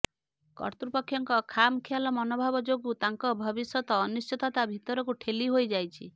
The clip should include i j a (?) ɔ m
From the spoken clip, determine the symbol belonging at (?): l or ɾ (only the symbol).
l